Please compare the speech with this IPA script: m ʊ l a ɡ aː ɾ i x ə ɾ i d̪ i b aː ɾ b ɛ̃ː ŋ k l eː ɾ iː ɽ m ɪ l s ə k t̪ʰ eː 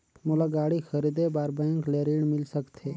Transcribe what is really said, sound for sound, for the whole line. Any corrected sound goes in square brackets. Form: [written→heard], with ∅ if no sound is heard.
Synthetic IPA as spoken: m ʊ l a ɡ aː [ɾ→ɽ] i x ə ɾ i d̪ [i→e] b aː ɾ b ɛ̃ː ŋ k l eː ɾ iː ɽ m ɪ l s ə k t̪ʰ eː